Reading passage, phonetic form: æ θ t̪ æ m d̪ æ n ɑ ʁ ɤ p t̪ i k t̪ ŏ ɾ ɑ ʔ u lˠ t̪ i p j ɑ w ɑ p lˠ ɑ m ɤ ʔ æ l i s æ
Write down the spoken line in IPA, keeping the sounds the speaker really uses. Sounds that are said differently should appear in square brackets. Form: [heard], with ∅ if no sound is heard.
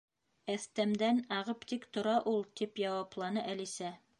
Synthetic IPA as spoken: æ θ t̪ æ m d̪ æ n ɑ ʁ ɤ p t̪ i k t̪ ŏ ɾ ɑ ʔ u lˠ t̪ i p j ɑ w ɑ p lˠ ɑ [n] ɤ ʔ æ l i s æ